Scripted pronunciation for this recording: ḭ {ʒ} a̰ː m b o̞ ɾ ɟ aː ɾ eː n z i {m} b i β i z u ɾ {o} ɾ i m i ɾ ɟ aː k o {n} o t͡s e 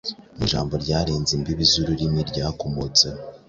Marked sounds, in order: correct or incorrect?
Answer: correct, correct, incorrect: u, incorrect: m

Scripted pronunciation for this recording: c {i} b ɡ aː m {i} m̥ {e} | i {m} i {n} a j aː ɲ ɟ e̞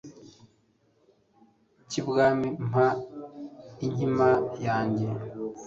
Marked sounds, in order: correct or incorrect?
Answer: correct, correct, incorrect: a, incorrect: ɲ, incorrect: m

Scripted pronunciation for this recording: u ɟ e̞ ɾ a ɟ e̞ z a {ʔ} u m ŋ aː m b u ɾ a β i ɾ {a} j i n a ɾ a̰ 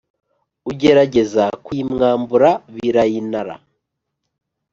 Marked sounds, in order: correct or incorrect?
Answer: incorrect: k, correct

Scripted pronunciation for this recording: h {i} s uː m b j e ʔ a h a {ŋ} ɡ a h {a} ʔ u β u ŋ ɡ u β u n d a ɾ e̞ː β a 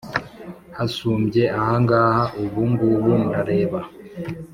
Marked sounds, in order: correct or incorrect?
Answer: incorrect: a, correct, correct

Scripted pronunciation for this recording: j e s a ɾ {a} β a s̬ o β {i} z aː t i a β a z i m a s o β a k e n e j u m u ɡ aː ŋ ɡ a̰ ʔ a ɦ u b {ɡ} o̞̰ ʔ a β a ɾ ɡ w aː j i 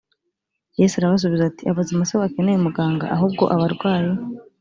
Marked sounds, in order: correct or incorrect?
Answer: correct, correct, correct

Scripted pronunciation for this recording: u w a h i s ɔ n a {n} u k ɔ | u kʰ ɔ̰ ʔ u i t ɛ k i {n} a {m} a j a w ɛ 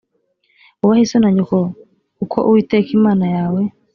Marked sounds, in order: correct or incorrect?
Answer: incorrect: ɲ, incorrect: m, incorrect: n

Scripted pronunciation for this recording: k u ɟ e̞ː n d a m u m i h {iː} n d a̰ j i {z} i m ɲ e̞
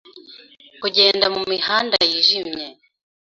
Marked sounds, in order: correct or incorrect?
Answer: incorrect: aː, incorrect: ʒ

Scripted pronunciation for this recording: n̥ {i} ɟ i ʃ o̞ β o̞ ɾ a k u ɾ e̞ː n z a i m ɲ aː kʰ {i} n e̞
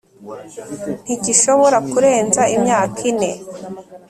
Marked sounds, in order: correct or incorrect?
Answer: correct, correct

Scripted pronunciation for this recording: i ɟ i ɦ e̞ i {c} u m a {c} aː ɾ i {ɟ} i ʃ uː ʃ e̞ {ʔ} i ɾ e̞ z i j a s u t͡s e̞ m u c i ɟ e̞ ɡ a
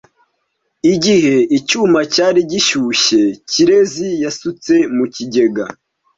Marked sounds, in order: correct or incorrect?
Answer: correct, correct, correct, incorrect: c

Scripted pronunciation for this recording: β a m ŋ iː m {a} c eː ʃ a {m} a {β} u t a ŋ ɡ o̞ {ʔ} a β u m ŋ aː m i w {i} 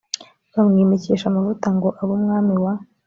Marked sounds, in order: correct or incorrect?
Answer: incorrect: e, correct, incorrect: v, correct, incorrect: a

